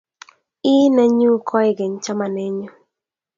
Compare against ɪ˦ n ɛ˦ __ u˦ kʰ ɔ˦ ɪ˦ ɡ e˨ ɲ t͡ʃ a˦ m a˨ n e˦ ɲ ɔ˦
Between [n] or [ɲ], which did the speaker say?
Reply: ɲ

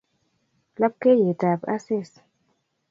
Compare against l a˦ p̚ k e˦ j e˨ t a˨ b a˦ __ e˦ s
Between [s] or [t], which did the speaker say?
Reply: s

